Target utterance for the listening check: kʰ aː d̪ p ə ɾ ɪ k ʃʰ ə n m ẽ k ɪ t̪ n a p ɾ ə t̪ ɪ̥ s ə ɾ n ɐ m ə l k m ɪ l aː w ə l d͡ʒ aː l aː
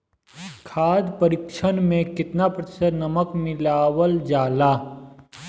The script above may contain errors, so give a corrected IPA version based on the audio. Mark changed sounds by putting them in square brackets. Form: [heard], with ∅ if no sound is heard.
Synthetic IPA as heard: kʰ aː d̪ p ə ɾ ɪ k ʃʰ ə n m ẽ k ɪ t̪ n a p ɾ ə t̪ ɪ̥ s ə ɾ n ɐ m ə [∅] k m ɪ l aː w ə l d͡ʒ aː l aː